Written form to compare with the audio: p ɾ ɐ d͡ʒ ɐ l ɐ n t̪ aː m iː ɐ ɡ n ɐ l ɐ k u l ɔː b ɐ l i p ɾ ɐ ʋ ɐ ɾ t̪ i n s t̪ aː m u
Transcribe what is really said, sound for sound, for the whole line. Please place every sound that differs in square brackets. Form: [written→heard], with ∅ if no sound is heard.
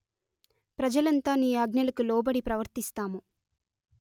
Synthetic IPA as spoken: p ɾ ɐ d͡ʒ ɐ l ɐ n t̪ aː [m→n] iː ɐ ɡ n ɐ l ɐ k u l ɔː b ɐ [l→ɽ] i p ɾ ɐ ʋ ɐ ɾ t̪ i [n→∅] s t̪ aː m u